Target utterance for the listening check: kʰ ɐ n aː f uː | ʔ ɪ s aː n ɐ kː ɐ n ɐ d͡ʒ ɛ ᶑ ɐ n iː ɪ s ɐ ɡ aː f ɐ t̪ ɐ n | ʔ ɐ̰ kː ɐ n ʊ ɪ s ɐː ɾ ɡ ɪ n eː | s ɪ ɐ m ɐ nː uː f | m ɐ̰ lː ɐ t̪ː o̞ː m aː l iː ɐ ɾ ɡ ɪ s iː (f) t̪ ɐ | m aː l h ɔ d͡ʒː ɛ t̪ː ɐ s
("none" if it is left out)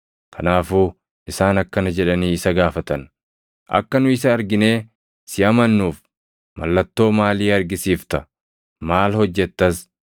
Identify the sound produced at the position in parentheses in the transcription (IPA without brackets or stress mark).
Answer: f